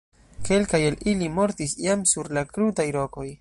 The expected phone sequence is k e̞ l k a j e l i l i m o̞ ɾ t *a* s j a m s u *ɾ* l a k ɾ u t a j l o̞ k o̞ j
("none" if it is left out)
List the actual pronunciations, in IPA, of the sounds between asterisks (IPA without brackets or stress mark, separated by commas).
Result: i, ɾ